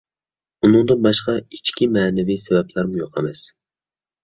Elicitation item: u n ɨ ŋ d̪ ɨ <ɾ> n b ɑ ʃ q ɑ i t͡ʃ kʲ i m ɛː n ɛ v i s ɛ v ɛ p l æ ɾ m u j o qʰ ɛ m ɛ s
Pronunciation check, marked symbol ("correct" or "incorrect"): incorrect